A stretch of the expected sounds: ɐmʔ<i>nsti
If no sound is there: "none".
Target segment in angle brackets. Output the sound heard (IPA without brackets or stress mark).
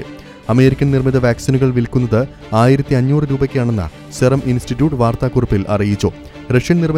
i